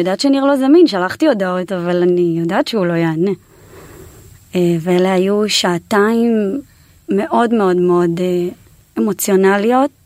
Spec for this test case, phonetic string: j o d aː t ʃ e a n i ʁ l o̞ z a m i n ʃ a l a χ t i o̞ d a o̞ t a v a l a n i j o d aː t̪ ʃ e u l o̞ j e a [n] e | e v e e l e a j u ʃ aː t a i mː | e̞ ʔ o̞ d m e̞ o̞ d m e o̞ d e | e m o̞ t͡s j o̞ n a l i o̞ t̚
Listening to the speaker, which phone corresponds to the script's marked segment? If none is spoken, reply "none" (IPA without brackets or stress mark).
n